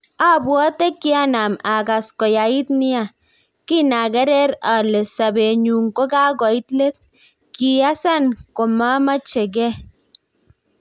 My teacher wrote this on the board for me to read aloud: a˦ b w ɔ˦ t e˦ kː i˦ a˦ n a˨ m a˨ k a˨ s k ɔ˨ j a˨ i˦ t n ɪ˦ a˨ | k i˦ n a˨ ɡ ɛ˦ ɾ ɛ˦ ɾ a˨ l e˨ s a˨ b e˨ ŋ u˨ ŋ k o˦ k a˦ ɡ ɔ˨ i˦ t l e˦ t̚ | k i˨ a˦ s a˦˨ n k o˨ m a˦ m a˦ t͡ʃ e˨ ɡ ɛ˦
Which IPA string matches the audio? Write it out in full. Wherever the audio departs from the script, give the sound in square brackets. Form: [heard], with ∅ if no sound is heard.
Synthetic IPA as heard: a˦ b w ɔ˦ t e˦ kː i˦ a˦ n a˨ m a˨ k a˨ s k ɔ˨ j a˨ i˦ t n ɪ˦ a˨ | k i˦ n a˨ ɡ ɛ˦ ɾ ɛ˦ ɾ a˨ l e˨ s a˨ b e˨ [ɲ] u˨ ŋ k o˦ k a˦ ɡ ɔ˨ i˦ t l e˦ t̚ | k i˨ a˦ s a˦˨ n k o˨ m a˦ m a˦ t͡ʃ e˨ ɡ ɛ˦